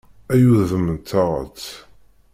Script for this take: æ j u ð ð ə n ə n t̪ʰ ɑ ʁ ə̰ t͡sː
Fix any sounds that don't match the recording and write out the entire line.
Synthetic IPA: æ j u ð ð ə m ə n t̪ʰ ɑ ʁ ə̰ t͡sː